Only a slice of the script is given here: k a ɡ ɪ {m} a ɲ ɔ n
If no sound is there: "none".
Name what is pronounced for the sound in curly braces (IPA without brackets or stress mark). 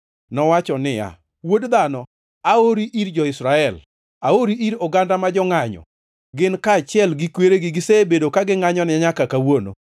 ŋ